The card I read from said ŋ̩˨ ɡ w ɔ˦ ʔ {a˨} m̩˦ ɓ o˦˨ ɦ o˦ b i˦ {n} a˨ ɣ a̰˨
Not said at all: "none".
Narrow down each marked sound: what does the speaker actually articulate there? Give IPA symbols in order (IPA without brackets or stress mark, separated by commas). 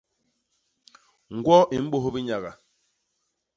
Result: i˨, ɲ